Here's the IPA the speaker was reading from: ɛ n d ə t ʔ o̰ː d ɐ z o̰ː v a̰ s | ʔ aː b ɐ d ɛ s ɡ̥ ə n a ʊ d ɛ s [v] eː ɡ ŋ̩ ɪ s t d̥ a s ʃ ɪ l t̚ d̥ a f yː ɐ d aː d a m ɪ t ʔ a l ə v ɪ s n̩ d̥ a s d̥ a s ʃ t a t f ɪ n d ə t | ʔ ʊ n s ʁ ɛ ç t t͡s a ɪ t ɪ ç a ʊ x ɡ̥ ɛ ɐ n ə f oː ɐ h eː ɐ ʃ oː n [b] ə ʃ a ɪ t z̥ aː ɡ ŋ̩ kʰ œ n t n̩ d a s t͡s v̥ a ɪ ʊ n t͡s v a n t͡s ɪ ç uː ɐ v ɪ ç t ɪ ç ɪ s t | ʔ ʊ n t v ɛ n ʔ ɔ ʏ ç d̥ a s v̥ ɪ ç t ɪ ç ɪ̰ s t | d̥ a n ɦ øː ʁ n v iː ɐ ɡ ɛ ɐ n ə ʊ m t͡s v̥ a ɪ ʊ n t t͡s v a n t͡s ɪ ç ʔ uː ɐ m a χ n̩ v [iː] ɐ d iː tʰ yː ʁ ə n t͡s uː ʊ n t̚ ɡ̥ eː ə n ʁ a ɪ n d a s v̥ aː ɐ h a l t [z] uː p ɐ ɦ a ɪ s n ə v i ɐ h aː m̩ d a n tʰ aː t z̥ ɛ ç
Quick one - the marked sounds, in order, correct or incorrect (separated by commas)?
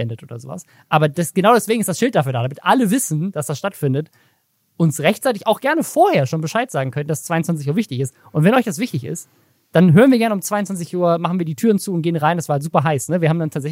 correct, correct, correct, correct